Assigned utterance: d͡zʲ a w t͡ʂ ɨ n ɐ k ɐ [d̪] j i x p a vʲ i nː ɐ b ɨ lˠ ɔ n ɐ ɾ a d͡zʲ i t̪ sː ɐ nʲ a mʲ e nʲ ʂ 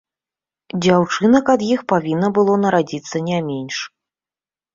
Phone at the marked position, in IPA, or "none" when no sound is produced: d̪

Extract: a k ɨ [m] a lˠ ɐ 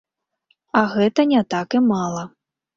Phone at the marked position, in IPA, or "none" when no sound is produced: m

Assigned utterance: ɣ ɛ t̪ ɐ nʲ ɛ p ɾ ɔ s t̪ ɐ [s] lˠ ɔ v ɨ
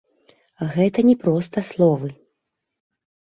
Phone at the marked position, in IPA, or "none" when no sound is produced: s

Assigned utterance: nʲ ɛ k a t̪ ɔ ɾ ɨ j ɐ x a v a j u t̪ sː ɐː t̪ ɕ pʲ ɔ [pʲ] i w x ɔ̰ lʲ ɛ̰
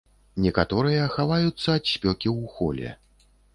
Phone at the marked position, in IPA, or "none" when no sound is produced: kʲ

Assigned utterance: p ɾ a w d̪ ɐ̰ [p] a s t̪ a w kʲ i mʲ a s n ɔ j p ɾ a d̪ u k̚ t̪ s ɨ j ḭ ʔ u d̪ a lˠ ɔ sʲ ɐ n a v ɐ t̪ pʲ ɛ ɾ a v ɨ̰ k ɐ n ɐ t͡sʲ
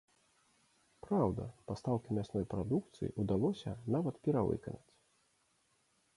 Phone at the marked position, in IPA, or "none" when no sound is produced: p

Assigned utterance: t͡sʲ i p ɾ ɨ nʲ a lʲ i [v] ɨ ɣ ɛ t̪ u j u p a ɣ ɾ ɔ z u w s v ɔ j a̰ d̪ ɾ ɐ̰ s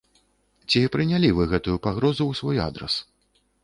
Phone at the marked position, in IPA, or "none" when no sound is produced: v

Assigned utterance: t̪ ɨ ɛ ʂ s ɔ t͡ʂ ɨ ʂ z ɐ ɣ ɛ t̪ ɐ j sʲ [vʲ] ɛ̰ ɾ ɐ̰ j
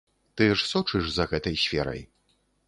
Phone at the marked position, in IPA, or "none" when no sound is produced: fʲ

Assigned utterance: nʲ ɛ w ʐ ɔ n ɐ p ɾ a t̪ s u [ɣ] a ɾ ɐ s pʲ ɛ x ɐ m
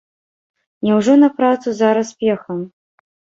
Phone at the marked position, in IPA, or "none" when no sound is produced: z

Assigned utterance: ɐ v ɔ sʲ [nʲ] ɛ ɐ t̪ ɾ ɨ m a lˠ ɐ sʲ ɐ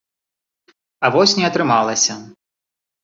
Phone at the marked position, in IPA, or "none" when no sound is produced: nʲ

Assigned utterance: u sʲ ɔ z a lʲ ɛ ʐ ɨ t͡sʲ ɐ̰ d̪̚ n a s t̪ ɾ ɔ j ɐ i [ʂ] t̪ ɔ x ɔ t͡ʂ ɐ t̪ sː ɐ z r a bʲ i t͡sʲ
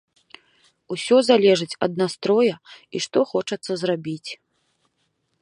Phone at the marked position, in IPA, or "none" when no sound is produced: ʂ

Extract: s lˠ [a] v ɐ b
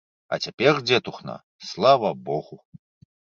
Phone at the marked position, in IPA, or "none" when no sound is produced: a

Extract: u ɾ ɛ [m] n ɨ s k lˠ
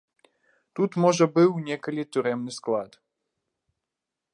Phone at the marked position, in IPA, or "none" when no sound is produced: m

